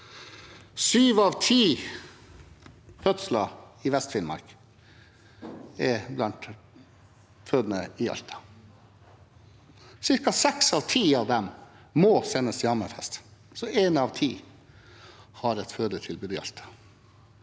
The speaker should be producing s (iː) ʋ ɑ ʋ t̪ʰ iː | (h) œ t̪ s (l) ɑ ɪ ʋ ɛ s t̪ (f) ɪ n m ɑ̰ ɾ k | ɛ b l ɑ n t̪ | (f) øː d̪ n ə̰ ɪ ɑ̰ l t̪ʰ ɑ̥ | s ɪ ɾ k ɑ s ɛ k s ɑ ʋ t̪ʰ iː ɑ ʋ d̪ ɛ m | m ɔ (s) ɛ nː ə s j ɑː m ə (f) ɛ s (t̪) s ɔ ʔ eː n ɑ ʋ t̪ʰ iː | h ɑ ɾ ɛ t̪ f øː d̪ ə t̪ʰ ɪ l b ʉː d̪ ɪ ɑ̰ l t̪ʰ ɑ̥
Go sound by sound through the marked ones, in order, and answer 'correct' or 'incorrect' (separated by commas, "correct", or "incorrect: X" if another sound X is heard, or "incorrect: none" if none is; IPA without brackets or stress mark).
incorrect: yː, incorrect: f, correct, correct, correct, correct, correct, correct